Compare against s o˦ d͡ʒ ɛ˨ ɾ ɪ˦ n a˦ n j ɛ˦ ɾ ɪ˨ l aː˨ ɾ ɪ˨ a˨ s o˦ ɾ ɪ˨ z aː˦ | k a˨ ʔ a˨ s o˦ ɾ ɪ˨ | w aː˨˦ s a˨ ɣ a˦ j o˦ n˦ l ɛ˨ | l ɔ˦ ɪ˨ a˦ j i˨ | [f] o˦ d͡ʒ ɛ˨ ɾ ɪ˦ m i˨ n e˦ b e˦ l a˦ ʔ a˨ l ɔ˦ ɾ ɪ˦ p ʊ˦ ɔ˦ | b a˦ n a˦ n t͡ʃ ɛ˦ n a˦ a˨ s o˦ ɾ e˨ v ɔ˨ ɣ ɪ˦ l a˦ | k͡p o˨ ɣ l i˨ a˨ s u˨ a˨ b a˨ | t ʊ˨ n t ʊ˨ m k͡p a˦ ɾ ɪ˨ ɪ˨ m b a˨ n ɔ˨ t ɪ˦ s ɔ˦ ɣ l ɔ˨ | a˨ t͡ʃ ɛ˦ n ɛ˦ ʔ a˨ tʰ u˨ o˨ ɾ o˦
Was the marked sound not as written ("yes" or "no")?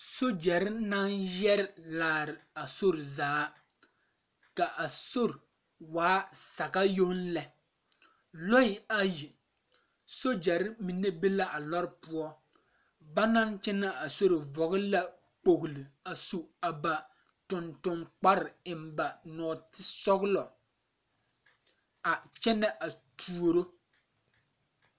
yes